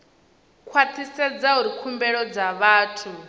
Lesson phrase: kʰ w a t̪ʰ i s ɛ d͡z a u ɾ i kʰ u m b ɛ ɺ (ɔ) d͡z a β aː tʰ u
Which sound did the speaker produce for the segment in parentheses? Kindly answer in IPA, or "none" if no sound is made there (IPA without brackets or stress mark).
ɔ